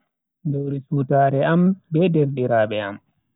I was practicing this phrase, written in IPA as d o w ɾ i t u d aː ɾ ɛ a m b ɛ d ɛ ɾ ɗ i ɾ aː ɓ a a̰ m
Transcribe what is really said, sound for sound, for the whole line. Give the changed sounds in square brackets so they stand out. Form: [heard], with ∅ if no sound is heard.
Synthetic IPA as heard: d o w ɾ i [s] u [t] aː ɾ ɛ a m b ɛ d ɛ ɾ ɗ i ɾ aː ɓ [ɛ] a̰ m

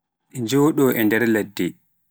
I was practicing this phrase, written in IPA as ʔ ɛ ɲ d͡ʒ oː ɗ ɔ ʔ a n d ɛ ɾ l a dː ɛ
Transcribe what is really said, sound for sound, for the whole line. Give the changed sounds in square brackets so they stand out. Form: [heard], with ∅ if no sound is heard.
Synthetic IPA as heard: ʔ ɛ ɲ d͡ʒ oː ɗ ɔ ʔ [ɛ] n d ɛ ɾ l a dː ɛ

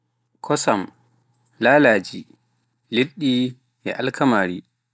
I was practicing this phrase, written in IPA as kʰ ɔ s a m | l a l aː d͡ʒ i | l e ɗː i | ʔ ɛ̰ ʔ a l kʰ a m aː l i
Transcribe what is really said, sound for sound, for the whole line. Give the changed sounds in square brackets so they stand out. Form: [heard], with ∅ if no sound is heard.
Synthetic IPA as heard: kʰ ɔ s a m | l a l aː d͡ʒ i | l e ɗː i | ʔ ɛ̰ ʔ a l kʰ a m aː [ɾ] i

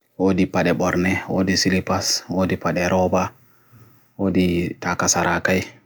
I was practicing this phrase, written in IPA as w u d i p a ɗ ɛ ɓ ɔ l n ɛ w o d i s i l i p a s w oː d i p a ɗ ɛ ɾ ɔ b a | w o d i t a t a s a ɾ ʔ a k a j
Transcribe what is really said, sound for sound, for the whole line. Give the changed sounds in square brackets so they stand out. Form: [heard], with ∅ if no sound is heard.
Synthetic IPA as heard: w [o] d i p a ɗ ɛ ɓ ɔ [ɾ] n ɛ w o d i s i l i p a s w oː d i p a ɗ ɛ ɾ ɔ b a | w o d i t a [k] a s a ɾ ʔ a k a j

